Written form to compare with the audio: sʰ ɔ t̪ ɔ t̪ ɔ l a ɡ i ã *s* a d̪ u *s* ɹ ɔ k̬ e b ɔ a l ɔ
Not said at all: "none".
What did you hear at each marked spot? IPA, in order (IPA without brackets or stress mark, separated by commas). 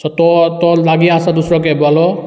s, s